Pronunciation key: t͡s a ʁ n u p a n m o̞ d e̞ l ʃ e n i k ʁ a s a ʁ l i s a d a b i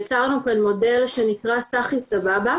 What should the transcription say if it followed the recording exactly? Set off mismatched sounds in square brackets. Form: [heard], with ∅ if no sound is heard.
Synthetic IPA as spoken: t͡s a ʁ n u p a n m o̞ d e̞ l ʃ e n i k ʁ a s a [χ] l i s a [b] a b [a]